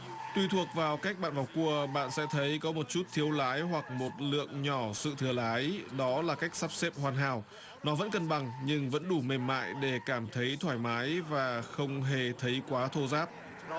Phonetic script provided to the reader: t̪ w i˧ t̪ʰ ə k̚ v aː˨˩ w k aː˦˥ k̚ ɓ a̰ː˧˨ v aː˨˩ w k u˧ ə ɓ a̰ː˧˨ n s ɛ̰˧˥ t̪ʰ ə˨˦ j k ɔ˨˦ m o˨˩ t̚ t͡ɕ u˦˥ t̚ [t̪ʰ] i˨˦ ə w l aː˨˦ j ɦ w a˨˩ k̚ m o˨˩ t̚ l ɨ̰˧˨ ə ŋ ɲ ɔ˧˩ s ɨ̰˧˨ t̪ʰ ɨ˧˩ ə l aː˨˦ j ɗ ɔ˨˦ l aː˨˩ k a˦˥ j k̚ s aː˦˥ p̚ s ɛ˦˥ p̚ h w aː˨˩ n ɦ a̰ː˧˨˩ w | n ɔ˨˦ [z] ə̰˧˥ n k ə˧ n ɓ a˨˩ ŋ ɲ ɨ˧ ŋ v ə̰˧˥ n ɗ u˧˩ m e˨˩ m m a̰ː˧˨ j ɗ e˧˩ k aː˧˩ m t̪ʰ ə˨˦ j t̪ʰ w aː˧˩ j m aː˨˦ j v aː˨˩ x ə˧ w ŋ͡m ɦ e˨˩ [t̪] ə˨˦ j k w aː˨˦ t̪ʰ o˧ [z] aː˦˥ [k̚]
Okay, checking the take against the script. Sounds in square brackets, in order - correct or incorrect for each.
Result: correct, incorrect, incorrect, correct, incorrect

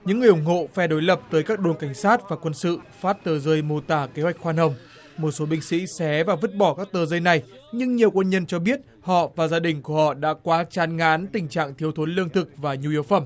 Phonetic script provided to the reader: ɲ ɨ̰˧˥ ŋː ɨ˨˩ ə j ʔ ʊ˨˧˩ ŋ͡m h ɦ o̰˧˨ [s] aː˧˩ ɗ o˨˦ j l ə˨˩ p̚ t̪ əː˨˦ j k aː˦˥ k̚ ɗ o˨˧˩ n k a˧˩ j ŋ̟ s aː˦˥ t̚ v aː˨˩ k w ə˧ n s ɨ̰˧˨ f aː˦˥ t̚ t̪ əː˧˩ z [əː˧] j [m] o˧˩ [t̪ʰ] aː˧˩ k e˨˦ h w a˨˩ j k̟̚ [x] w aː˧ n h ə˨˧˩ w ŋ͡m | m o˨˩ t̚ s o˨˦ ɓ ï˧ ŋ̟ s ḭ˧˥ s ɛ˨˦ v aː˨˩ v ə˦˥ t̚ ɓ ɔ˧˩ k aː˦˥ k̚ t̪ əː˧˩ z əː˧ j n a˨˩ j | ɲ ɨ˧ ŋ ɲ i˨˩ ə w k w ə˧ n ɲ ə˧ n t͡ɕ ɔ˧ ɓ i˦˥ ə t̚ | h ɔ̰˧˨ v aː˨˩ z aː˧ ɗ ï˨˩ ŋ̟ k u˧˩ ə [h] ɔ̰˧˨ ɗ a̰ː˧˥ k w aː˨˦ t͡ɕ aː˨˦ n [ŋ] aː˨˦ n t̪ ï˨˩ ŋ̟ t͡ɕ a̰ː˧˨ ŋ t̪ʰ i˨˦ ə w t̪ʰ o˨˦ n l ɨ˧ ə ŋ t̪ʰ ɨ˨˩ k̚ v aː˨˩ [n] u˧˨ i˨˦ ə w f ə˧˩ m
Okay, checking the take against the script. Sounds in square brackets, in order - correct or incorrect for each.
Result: incorrect, correct, correct, incorrect, correct, correct, correct, incorrect

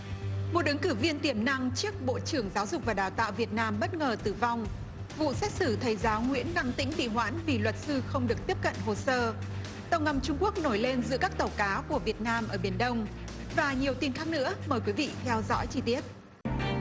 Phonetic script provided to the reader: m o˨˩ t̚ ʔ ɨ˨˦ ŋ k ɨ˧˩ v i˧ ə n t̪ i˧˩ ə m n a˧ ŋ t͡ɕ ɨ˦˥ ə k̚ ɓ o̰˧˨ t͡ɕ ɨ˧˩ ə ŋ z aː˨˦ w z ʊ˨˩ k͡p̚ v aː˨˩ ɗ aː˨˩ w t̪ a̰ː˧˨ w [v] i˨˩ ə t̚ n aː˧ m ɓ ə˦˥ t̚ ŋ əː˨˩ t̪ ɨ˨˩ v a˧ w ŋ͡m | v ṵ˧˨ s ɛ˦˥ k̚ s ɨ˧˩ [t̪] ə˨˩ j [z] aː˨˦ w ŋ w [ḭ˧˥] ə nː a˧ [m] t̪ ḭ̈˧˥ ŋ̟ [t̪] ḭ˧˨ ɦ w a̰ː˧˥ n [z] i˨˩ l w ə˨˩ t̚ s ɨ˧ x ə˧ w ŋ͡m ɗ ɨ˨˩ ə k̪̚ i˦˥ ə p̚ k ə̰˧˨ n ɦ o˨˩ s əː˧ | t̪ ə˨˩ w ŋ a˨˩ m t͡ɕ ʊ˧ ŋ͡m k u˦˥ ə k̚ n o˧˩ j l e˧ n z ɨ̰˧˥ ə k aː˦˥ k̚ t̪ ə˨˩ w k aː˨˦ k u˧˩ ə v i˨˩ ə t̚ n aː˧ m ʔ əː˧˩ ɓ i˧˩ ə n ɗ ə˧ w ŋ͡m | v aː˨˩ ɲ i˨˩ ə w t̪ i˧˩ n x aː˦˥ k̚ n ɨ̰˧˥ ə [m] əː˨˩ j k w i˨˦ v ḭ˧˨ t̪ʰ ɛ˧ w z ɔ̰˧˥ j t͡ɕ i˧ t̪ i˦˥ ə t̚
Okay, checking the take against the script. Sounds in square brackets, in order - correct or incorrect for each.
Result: correct, incorrect, correct, correct, incorrect, correct, incorrect, correct

